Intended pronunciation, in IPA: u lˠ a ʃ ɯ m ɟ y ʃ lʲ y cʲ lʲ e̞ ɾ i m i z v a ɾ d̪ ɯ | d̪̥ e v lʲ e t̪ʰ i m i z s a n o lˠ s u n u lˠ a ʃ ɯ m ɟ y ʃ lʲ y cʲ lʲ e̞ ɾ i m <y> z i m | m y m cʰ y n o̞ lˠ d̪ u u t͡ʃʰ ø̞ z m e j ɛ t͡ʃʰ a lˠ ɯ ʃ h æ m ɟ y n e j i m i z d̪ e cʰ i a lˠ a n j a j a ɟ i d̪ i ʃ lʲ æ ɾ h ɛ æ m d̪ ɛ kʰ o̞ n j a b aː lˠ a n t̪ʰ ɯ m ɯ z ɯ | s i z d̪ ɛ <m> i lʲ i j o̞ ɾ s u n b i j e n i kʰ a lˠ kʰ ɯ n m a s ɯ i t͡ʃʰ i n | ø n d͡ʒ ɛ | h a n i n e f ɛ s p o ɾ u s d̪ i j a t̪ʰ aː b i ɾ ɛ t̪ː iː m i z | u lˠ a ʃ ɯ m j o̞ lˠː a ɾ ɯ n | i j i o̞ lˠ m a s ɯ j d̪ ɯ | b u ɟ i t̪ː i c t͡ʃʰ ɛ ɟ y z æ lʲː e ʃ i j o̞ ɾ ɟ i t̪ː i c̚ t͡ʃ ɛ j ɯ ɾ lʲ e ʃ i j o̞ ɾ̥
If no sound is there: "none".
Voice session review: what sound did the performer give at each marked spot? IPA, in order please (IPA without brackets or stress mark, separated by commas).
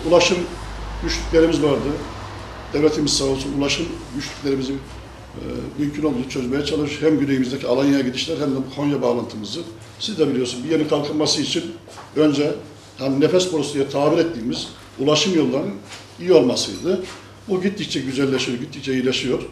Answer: i, b